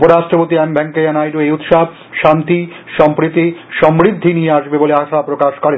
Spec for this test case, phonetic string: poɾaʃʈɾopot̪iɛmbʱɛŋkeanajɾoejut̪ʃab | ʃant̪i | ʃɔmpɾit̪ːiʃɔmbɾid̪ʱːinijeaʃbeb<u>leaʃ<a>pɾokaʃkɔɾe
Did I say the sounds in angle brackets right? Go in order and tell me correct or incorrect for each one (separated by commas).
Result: incorrect, correct